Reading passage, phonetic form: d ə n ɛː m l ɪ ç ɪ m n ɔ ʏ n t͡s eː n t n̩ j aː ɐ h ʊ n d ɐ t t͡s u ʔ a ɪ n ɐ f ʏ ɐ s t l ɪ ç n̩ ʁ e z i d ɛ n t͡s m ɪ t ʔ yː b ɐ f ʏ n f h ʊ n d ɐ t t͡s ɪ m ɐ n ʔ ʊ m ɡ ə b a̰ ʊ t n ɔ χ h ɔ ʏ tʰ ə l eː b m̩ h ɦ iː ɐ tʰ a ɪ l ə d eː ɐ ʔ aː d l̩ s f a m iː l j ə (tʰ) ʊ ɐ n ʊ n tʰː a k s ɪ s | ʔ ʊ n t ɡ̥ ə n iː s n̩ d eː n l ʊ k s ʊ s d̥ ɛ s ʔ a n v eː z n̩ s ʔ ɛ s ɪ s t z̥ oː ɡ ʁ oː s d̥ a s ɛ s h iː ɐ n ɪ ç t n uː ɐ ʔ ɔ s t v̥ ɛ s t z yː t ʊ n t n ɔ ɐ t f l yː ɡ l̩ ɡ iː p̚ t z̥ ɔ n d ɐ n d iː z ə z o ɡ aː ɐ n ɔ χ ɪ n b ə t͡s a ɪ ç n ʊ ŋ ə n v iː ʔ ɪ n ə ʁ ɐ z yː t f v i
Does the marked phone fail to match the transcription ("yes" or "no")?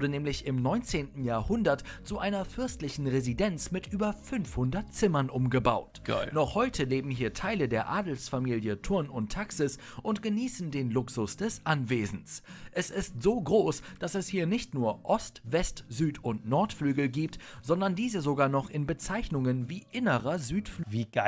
no